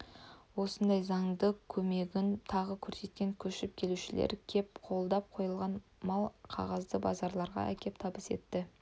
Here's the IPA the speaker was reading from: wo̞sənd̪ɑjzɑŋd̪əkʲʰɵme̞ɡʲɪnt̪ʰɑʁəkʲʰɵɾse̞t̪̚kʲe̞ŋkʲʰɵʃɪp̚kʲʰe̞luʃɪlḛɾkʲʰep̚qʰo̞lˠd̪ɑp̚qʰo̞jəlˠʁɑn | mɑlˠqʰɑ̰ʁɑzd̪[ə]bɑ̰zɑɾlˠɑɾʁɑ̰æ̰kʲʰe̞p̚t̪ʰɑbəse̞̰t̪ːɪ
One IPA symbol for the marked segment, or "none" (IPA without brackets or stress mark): ə